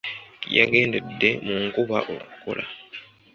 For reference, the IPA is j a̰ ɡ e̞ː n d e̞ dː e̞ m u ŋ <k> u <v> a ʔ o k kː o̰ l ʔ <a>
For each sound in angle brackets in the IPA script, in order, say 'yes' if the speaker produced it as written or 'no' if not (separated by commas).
yes, no, yes